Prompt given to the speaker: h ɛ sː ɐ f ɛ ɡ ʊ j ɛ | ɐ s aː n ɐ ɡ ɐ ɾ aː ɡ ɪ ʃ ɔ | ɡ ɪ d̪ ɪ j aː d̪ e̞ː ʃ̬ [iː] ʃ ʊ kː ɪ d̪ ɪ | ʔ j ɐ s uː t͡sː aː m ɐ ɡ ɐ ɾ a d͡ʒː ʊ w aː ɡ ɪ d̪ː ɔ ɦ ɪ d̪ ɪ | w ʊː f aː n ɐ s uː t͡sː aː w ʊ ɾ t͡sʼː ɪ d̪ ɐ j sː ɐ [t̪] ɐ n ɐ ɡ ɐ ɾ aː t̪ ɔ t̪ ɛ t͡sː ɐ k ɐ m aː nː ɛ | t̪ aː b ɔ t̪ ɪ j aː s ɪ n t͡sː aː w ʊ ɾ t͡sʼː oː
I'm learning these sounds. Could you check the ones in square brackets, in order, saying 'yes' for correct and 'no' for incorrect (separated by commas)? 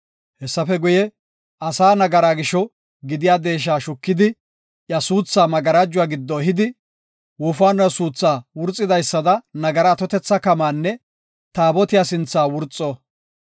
no, no